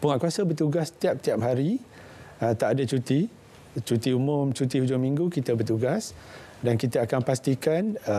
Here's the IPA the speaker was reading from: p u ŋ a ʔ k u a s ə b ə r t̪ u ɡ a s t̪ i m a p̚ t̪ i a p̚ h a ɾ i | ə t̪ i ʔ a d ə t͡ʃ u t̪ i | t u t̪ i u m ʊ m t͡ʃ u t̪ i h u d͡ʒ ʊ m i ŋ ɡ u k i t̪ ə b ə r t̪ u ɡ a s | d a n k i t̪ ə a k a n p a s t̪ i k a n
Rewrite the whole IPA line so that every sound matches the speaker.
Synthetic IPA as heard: p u ŋ a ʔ k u a s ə b ə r t̪ u ɡ a s t̪ i a p̚ t̪ i a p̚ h a ɾ i | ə t̪ a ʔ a d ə t͡ʃ u t̪ i | t͡ʃ u t̪ i u m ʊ m t͡ʃ u t̪ i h u d͡ʒ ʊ m i ŋ ɡ u k i t̪ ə b ə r t̪ u ɡ a s | d a n k i t̪ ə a k a n p a s t̪ i k a n